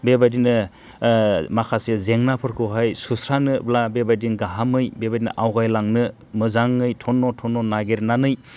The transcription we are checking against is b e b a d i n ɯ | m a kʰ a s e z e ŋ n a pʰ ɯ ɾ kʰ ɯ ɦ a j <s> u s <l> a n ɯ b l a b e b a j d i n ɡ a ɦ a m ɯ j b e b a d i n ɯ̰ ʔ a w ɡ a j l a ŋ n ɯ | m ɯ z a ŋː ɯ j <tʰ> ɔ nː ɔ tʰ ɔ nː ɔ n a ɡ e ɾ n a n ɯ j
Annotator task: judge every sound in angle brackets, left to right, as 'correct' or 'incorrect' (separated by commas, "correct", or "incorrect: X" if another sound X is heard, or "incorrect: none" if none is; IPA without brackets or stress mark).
correct, incorrect: ɾ, correct